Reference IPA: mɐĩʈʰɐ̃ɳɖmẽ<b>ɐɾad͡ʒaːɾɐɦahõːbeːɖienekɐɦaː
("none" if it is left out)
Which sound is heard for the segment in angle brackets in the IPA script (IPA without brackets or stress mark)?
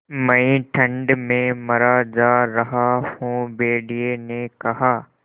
m